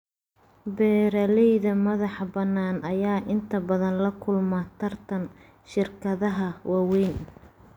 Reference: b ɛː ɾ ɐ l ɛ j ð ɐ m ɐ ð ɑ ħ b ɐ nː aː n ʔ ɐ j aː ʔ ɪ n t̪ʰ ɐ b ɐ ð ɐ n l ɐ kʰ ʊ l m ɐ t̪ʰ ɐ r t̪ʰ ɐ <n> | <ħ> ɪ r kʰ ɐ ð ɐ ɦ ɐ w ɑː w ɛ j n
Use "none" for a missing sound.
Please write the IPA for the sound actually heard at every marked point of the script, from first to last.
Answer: n, ʃ

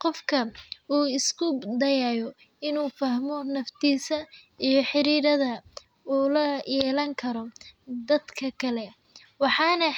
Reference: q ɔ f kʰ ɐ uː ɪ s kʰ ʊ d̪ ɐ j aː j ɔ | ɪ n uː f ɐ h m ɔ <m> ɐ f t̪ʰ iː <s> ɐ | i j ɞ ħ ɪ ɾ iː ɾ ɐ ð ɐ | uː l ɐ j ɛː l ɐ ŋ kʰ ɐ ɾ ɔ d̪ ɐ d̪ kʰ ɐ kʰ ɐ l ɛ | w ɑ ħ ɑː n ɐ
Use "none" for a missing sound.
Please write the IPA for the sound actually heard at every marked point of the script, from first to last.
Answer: n, s

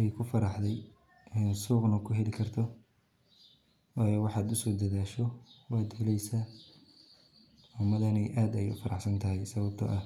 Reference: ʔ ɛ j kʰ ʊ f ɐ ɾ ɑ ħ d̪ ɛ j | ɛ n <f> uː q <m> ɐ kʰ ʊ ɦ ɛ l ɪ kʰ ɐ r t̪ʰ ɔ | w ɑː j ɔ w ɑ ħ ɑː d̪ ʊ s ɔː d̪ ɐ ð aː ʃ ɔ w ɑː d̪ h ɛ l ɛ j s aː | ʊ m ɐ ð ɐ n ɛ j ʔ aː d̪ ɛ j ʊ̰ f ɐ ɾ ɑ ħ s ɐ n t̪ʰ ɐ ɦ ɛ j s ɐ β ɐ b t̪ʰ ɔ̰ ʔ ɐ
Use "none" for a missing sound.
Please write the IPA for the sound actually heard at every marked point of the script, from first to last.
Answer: s, n

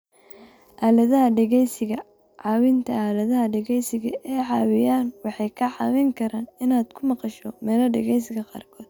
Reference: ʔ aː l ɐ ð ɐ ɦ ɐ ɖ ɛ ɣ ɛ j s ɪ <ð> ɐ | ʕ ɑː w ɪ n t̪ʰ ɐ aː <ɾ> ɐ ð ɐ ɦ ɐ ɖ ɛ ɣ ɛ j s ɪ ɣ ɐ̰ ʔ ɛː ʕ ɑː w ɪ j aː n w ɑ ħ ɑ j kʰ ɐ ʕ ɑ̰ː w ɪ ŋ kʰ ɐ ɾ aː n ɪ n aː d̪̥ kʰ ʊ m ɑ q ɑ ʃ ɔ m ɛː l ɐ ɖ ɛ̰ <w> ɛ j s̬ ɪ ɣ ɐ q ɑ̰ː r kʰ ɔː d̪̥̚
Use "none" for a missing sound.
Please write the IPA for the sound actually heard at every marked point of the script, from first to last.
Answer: ɣ, l, ɣ

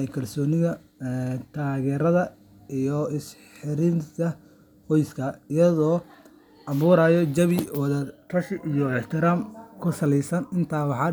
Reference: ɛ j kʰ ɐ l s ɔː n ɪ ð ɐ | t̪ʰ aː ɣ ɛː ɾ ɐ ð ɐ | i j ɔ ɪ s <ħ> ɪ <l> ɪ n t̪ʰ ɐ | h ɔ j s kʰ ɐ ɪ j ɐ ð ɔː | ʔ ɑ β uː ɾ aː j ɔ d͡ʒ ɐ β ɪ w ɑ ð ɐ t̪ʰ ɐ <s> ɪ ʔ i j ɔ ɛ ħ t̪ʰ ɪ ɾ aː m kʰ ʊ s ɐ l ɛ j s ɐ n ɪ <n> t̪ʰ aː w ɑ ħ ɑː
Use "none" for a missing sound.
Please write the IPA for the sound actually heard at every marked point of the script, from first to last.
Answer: ħ, ɾ, ʃ, n

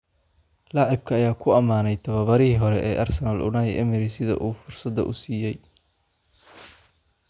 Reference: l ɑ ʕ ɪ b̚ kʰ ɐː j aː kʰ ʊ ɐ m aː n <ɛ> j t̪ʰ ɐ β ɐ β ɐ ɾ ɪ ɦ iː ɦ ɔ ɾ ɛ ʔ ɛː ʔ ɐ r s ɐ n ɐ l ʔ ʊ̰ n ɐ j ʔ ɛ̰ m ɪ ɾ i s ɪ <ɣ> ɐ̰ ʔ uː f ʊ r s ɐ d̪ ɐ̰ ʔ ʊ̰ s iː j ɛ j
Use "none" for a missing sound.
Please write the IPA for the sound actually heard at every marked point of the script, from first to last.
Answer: ɛ, ð

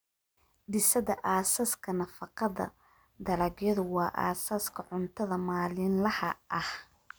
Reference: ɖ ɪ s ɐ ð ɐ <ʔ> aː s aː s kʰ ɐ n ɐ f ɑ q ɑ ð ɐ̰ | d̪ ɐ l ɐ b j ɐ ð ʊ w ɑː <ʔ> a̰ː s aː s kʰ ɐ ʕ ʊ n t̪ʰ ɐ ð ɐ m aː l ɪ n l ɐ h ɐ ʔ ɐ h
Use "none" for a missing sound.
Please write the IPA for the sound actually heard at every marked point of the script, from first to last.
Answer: ʔ, ʔ

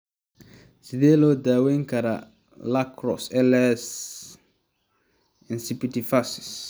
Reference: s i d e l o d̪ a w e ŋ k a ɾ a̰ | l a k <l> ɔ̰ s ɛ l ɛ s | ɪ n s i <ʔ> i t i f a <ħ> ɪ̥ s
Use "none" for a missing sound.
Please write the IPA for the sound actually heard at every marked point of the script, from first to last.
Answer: ɾ, p, s

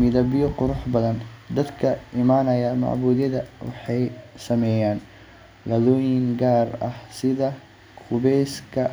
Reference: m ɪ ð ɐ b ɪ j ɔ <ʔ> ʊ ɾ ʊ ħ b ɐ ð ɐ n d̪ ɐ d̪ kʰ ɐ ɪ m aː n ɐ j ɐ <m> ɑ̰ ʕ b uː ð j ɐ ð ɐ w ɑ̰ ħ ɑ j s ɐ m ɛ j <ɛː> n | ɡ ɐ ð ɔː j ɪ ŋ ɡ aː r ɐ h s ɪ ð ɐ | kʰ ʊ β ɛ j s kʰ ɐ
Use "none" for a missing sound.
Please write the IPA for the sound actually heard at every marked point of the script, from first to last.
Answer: q, m, aː

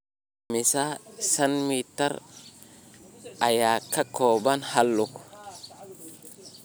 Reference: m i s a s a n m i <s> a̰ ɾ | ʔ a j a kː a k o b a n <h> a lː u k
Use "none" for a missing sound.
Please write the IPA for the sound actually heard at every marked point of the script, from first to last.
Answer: t, h

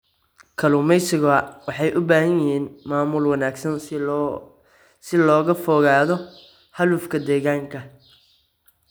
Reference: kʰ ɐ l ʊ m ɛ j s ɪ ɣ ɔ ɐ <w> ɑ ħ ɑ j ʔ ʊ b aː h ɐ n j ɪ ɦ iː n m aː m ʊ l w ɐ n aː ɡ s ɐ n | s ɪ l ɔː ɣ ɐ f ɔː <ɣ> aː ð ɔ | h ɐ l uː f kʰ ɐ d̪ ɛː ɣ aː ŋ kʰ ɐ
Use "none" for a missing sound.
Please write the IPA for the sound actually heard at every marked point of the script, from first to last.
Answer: w, ɣ

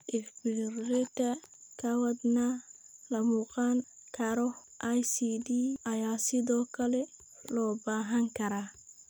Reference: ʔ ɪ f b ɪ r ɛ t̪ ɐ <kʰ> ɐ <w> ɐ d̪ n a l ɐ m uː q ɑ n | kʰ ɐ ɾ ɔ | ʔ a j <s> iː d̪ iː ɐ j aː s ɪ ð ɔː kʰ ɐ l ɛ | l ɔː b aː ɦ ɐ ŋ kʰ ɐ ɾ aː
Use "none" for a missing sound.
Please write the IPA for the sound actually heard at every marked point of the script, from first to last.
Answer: kʰ, w, s

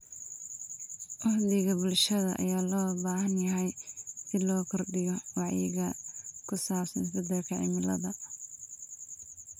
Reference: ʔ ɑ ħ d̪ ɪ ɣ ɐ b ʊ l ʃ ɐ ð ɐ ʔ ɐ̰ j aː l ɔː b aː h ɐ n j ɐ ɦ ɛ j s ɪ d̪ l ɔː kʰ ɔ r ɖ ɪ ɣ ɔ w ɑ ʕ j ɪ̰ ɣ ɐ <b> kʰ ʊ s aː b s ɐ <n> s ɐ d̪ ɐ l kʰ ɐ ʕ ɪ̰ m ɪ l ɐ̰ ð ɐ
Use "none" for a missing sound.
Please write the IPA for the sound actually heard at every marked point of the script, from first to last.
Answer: none, n

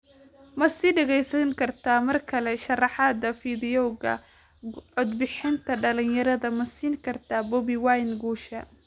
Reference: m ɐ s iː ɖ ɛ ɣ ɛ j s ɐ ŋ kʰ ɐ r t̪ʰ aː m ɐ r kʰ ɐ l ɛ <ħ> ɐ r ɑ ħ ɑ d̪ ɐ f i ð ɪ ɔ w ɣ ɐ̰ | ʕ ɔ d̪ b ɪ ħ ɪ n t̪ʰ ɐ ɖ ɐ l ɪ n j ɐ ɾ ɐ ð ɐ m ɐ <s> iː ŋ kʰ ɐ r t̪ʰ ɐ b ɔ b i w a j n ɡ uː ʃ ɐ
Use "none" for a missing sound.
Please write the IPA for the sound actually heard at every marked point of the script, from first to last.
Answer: ʃ, s

